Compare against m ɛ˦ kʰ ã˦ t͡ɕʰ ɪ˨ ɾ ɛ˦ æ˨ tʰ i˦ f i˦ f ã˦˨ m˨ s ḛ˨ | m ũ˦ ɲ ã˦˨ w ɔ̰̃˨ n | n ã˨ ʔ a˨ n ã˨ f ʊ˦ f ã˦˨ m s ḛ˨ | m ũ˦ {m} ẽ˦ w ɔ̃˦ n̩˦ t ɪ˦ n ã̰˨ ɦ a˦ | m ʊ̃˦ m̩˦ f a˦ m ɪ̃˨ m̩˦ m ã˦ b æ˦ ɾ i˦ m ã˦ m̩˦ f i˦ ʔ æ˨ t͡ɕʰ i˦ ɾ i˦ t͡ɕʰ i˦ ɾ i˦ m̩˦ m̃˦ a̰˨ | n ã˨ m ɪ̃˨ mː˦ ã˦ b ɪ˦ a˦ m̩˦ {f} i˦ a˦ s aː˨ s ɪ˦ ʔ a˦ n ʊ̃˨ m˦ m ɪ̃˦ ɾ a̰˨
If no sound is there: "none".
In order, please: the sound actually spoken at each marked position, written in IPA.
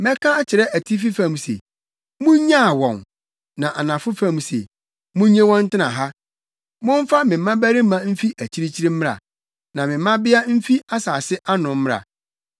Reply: ɲ, f

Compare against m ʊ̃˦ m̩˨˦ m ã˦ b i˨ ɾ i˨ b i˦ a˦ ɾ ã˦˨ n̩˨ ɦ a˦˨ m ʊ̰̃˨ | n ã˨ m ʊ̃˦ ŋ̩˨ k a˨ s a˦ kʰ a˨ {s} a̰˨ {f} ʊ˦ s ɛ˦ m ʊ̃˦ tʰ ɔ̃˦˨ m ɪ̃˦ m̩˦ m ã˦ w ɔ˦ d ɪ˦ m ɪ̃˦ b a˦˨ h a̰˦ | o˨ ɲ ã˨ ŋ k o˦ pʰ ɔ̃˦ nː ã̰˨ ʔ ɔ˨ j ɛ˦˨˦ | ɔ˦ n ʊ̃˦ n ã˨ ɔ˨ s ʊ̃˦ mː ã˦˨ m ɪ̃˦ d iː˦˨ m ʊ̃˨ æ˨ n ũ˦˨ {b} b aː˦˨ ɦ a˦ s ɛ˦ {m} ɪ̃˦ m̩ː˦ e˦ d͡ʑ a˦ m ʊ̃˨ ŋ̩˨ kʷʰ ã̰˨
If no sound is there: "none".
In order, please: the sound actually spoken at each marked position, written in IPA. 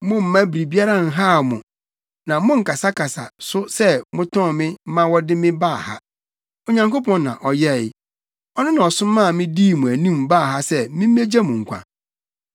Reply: s, s, m, m

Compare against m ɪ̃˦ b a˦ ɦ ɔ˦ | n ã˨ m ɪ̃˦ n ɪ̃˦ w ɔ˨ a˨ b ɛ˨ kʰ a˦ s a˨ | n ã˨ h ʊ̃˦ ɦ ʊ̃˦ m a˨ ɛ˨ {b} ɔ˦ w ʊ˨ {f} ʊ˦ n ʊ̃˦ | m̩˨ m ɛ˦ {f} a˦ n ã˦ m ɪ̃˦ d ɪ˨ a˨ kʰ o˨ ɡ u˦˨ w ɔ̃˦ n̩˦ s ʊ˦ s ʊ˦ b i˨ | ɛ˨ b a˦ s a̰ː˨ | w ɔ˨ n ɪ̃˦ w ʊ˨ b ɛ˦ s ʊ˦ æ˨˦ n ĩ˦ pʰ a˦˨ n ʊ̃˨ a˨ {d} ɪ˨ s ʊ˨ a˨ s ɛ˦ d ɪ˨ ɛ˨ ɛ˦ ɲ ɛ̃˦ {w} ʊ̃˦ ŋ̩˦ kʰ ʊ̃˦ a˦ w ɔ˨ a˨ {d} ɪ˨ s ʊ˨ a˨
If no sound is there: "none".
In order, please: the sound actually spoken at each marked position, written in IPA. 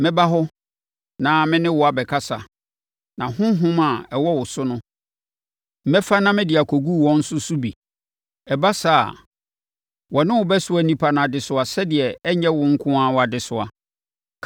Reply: w, s, f, d, w, d

